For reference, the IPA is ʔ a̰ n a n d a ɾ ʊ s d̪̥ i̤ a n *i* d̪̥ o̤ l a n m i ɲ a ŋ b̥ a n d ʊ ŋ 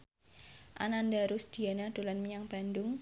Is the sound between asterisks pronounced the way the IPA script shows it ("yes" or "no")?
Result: no